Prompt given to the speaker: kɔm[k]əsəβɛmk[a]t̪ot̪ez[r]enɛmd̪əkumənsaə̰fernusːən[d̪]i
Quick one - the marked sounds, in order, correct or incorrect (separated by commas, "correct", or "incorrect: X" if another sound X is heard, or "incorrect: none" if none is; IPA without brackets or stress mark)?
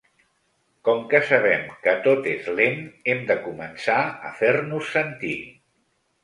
correct, incorrect: ə, incorrect: l, incorrect: t̪